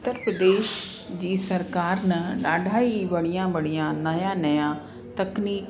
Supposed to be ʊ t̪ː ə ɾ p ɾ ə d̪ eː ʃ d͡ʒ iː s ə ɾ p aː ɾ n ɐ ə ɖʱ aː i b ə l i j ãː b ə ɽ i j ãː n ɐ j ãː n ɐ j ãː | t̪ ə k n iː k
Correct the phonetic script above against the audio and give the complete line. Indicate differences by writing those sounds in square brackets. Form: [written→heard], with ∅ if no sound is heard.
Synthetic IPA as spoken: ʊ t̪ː ə ɾ p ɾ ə d̪ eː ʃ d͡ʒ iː s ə ɾ [p→k] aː ɾ n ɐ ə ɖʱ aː i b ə [l→ɽ] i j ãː b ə ɽ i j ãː n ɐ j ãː n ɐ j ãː | t̪ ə k n iː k